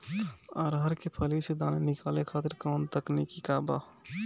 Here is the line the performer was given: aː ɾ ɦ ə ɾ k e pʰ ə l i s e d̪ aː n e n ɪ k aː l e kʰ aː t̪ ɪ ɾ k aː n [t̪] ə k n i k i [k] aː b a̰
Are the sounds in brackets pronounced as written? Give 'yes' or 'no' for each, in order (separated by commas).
yes, yes